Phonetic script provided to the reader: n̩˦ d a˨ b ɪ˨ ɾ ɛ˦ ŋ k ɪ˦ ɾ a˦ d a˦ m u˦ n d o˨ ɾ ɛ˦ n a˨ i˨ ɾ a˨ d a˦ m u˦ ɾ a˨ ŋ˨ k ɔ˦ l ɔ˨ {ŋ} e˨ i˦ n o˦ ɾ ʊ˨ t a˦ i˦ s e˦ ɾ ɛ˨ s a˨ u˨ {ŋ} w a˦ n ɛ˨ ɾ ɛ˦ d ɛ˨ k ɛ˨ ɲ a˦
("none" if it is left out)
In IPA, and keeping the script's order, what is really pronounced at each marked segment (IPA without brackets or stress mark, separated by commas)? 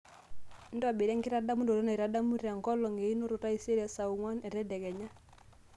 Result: ŋ, ŋ